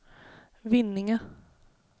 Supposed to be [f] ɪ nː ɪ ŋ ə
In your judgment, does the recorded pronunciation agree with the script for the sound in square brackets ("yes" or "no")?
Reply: no